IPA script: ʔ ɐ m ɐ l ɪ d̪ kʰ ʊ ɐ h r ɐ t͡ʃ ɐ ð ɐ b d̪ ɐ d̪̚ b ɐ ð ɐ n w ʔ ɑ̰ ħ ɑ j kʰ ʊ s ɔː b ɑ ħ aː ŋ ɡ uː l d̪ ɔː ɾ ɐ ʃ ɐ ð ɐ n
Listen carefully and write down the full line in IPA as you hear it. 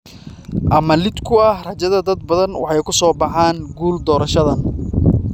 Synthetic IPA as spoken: ʔ ɐ m ɐ l ɪ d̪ kʰ ʊ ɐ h r ɐ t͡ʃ ɐ ð ɐ d̪ ɐ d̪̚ b ɐ ð ɐ n w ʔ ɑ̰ ħ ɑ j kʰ ʊ s ɔː b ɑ ħ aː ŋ ɡ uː l d̪ ɔː ɾ ɐ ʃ ɐ ð ɐ n